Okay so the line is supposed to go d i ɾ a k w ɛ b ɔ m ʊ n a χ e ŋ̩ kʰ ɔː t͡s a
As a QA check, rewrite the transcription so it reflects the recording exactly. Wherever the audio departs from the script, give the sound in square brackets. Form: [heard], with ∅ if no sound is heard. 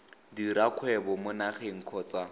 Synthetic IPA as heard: d i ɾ a [kʰ] w ɛ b ɔ m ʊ n a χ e ŋ̩ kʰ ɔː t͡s a